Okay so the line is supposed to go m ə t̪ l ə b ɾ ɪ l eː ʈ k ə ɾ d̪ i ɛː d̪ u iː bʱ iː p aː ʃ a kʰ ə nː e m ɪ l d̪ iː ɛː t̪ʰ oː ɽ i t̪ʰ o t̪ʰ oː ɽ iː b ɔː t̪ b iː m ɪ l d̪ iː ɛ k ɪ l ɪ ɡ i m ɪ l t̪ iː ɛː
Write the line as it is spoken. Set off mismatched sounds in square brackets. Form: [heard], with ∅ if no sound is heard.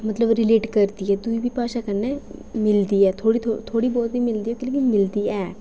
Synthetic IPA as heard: m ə t̪ l ə b ɾ ɪ l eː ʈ k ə ɾ d̪ i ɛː d̪ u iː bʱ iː p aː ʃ a [k] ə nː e m ɪ l d̪ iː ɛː t̪ʰ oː ɽ i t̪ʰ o t̪ʰ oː ɽ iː b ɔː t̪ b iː m ɪ l d̪ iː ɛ k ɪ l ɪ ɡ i m ɪ l [d̪] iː ɛː